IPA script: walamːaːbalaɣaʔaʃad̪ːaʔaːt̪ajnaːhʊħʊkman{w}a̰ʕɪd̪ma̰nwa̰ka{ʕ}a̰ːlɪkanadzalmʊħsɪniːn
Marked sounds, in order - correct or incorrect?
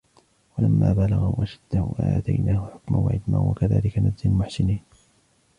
correct, incorrect: ð

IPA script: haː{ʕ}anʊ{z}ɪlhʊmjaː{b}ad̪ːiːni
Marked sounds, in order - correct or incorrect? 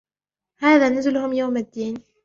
incorrect: ð, correct, incorrect: m

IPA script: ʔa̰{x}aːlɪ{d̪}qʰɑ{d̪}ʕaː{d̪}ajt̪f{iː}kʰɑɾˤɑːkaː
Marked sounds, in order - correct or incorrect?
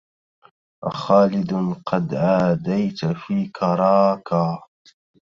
correct, correct, correct, correct, correct

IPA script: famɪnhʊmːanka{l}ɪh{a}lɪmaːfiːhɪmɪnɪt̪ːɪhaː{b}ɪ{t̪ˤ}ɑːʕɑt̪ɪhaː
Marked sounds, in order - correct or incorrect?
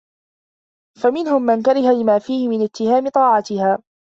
incorrect: ɾ, correct, incorrect: m, correct

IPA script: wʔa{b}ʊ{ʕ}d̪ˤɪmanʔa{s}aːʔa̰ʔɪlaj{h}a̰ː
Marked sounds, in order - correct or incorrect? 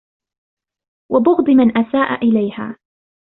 correct, incorrect: ɣ, correct, correct

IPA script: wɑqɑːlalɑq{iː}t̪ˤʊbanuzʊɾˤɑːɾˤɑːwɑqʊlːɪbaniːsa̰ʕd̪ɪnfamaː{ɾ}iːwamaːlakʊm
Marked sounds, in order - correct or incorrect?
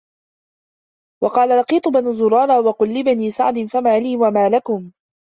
correct, incorrect: l

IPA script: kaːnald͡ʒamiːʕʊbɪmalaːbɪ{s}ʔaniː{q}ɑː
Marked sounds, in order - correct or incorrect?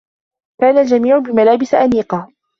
correct, correct

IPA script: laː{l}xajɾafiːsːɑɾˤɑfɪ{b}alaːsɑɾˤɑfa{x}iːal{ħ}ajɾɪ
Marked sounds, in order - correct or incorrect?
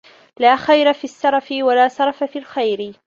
incorrect: none, incorrect: w, incorrect: f, incorrect: x

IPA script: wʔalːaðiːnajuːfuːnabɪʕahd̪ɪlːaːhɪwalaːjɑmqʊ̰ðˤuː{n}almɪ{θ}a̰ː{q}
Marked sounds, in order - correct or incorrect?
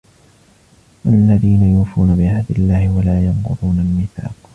correct, correct, correct

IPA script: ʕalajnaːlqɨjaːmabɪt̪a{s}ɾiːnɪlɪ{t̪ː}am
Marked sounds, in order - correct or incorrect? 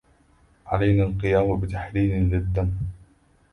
incorrect: ħ, incorrect: d̪ː

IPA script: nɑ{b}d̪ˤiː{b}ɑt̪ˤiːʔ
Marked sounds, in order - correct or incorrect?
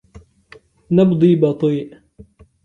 correct, correct

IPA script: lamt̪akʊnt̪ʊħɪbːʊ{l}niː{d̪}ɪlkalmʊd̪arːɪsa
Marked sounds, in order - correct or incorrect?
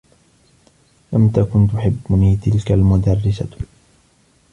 incorrect: none, incorrect: t̪

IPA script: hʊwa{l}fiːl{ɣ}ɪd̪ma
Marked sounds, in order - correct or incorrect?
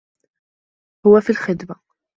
incorrect: none, incorrect: x

